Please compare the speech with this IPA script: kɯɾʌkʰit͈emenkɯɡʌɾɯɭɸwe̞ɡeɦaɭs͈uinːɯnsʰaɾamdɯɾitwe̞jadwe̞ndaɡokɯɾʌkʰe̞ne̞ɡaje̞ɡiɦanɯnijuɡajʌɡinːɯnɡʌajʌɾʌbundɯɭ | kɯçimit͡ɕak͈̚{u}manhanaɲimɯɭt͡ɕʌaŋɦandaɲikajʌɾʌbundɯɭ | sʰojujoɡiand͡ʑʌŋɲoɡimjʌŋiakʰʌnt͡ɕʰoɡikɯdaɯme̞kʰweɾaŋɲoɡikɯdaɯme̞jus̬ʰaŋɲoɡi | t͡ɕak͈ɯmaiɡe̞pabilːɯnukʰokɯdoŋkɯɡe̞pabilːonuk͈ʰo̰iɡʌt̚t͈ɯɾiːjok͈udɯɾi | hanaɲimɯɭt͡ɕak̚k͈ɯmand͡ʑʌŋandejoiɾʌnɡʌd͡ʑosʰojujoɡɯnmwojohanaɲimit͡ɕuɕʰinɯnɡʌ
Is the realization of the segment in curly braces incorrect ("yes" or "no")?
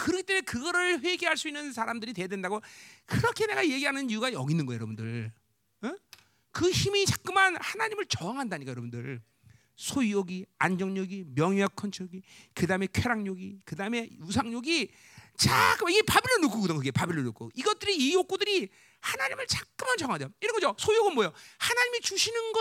yes